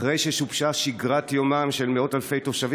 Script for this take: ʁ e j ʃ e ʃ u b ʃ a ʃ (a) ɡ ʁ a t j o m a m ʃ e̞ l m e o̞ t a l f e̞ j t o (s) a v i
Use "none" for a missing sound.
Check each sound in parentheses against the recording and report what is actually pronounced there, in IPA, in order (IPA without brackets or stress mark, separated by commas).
i, ʃ